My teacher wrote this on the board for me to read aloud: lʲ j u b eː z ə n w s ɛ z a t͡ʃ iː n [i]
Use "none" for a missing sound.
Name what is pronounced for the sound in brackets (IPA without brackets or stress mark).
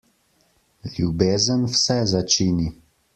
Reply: i